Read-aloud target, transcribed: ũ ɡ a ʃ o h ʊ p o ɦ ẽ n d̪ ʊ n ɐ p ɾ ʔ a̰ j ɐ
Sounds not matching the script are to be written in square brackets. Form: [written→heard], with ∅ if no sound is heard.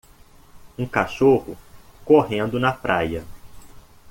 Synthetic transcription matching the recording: ũ [ɡ→k] a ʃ o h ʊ [p→k] o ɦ ẽ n d̪ ʊ n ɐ p ɾ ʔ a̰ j ɐ